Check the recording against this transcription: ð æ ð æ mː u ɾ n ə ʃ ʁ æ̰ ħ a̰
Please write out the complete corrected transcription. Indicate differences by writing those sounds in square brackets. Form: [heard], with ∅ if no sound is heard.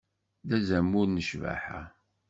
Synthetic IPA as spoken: ð æ [z] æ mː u ɾ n ə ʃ [v] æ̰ ħ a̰